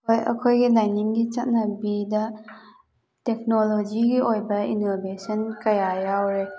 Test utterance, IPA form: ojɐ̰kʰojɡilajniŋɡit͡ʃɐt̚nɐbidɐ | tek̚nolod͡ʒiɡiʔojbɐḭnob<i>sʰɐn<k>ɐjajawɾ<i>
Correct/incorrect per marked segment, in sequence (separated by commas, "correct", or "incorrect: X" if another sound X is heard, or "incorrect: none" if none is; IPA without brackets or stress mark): incorrect: e, correct, incorrect: e